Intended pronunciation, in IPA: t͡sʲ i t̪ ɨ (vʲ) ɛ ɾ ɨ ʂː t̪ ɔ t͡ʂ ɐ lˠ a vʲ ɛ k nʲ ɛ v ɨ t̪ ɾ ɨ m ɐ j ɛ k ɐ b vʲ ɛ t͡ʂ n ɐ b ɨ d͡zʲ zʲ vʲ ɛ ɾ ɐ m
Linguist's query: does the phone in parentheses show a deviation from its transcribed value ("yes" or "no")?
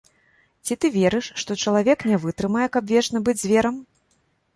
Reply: no